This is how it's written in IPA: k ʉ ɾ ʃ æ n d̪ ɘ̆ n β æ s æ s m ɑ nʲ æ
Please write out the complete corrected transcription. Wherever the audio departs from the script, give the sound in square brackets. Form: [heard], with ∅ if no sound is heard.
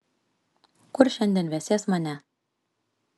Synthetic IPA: k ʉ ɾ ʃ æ n d̪ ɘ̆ n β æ s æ s m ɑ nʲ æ